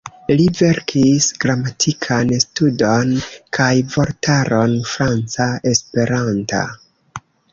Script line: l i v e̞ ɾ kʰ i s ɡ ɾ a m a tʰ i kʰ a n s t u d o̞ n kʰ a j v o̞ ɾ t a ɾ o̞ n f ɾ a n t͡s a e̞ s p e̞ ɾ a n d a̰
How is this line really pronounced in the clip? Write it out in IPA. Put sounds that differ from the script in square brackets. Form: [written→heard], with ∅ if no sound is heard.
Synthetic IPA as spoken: l i v e̞ ɾ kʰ i s ɡ ɾ a m a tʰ i kʰ a n s t u d o̞ n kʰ a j v o̞ ɾ t a ɾ o̞ n f ɾ a n t͡s a e̞ s p e̞ ɾ a n [d→t] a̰